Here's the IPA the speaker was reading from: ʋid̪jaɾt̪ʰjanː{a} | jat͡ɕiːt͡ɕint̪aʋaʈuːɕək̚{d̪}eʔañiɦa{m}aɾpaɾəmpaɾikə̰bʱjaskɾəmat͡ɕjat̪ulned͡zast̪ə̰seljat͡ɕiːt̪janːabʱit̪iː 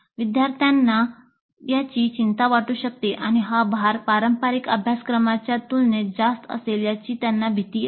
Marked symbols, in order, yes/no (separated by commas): yes, no, no